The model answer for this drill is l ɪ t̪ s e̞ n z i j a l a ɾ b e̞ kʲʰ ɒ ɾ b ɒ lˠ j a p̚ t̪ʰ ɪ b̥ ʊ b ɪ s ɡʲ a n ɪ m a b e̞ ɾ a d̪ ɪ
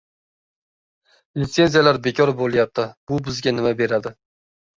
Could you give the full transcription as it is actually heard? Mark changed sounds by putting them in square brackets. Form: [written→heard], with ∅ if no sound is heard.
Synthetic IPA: l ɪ t̪ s e̞ n z i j a l a ɾ b e̞ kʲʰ ɒ ɾ b [ɒ→o] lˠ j a p̚ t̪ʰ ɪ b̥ ʊ b ɪ [s→z] ɡʲ a n ɪ m a b e̞ ɾ a d̪ ɪ